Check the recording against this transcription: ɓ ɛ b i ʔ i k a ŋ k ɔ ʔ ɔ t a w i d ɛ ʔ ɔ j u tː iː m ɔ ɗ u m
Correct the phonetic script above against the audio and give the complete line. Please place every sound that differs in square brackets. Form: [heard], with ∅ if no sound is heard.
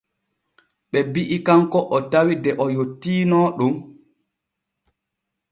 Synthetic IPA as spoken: ɓ ɛ b i ʔ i k a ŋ k ɔ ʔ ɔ t a w i d ɛ ʔ ɔ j [o] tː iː [n] ɔ ɗ u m